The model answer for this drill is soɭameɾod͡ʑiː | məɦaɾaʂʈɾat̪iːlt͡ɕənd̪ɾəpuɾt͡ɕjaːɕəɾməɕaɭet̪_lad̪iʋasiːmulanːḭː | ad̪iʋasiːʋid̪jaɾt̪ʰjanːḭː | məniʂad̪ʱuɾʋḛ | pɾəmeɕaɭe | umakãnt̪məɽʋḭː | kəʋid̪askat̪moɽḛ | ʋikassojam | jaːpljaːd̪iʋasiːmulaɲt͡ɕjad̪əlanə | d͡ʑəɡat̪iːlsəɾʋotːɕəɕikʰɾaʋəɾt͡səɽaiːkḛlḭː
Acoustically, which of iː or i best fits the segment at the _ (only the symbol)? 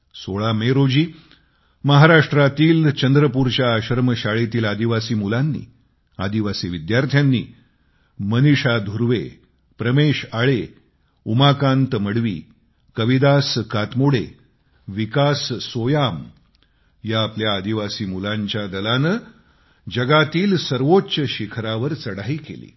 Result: iː